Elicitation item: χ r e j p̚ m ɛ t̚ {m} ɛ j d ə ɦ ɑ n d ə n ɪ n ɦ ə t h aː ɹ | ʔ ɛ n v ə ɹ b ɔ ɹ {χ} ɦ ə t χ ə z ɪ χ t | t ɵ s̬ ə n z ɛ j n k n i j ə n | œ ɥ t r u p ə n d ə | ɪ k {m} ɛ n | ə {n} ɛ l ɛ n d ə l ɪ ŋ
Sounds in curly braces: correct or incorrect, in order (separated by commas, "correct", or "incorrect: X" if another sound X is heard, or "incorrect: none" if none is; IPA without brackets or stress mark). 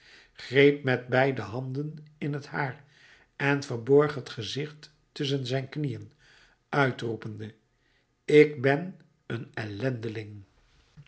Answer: incorrect: b, correct, incorrect: b, correct